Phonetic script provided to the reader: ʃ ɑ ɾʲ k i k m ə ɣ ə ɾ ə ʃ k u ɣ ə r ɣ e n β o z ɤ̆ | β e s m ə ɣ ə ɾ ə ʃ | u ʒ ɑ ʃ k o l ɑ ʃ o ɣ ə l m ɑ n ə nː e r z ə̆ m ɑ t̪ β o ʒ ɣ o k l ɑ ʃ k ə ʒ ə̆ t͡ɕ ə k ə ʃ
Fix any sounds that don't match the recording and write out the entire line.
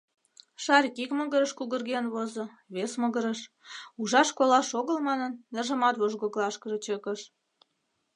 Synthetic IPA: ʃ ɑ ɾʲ k i k m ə ɣ ə ɾ ə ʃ k u ɣ ə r ɣ e n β o z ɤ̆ | β e s m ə ɣ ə ɾ ə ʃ | u ʒ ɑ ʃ k o l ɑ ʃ o ɣ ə l m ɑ n ə nː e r ʒ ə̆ m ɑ t̪ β o ʒ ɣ o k l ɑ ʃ k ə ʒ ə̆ t͡ɕ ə k ə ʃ